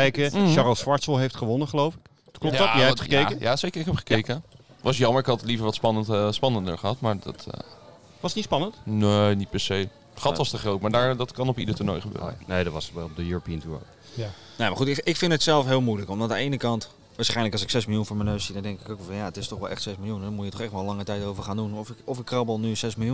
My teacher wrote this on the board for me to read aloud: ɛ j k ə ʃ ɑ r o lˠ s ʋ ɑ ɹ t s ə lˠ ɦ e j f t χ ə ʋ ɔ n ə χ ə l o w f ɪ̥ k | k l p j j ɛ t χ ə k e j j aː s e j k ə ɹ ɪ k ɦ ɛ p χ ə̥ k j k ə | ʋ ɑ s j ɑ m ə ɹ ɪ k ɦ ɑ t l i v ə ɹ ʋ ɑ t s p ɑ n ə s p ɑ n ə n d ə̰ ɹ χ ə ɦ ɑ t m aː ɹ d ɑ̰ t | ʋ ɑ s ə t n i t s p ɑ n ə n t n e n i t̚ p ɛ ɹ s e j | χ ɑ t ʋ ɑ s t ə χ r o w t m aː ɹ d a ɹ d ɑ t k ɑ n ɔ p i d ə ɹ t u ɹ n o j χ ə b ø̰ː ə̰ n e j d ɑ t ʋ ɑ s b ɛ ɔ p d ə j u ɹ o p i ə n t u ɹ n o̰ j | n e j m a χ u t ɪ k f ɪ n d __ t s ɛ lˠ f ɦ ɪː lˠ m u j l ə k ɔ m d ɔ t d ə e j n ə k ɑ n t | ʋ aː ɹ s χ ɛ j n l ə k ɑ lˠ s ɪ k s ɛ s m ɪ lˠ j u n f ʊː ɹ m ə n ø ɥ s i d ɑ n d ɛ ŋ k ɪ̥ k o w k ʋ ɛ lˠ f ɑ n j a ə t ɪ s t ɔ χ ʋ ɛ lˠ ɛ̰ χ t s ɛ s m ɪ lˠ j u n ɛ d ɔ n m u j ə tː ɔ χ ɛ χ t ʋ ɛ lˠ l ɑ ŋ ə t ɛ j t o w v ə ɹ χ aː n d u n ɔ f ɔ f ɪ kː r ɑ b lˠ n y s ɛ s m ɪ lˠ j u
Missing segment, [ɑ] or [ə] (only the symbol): ə